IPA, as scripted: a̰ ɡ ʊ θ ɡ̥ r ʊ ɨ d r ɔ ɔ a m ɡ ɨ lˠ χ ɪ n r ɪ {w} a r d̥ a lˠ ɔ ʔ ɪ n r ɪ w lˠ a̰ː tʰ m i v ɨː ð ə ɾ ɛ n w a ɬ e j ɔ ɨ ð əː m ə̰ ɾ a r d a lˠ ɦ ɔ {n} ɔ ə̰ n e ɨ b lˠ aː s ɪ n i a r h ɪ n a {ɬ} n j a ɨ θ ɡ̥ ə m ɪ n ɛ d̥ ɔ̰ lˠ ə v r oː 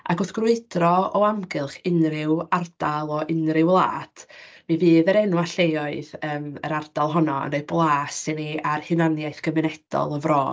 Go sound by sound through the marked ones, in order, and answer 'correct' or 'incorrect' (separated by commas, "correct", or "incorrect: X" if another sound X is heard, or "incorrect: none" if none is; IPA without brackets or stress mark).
correct, correct, incorrect: none